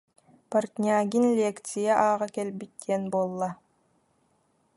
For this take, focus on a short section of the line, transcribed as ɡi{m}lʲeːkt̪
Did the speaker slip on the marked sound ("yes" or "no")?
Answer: yes